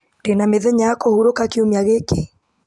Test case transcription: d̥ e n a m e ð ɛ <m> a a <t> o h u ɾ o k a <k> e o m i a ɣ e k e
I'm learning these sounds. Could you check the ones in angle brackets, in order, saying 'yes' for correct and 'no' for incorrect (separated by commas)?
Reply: no, no, yes